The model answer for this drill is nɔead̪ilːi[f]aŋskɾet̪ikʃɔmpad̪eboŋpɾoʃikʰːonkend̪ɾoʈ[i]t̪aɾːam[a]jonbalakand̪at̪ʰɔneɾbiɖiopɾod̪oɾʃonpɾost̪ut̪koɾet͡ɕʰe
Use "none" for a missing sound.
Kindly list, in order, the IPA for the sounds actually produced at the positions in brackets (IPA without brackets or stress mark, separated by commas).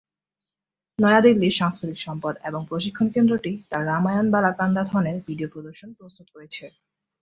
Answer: ʃ, i, a